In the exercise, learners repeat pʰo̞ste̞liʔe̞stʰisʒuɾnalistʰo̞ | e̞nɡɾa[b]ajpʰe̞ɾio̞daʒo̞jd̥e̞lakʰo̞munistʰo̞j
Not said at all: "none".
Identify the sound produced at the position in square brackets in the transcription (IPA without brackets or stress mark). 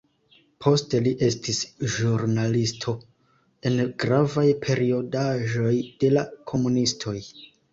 v